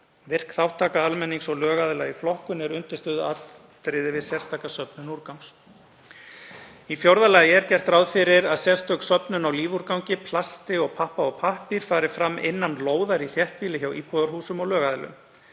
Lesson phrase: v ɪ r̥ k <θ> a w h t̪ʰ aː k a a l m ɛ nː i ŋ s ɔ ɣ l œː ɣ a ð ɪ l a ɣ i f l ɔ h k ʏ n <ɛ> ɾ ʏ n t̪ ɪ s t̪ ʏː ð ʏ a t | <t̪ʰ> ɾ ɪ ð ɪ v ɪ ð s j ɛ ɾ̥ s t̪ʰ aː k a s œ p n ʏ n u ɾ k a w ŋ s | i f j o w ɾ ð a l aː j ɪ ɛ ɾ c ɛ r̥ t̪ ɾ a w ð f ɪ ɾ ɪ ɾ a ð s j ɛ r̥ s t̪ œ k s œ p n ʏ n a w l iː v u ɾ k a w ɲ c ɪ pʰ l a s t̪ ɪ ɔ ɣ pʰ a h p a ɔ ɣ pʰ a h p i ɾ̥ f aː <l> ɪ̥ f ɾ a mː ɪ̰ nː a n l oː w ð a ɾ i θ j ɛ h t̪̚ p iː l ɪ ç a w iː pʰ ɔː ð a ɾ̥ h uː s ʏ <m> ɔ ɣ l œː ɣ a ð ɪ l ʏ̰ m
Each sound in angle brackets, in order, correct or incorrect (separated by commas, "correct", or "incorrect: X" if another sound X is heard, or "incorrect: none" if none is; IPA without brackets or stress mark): correct, correct, incorrect: t̪, incorrect: ɾ, correct